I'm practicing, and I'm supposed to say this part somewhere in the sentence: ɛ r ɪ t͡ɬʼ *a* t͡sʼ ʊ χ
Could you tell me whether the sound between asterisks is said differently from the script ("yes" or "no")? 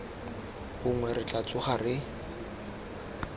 no